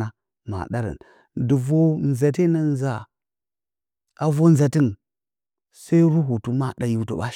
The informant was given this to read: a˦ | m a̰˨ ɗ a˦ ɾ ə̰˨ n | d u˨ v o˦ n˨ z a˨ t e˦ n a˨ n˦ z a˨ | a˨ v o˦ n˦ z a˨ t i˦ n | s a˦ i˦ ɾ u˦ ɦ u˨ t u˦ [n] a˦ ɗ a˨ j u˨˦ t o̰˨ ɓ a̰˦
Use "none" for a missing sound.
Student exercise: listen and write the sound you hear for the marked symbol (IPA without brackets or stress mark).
m